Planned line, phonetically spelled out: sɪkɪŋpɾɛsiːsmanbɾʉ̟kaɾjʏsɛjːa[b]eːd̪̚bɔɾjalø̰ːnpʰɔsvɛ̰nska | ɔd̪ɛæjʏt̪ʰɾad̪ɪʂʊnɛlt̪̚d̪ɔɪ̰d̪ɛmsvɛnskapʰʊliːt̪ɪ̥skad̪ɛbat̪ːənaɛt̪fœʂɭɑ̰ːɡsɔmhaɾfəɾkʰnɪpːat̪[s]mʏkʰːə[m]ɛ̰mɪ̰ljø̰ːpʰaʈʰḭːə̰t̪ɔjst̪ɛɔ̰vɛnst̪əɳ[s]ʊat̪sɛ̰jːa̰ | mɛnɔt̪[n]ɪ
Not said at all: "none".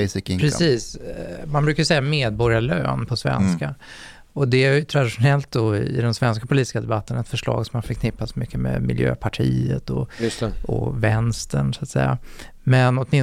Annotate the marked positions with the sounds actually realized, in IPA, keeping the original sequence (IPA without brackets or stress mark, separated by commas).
m, s, m, s, m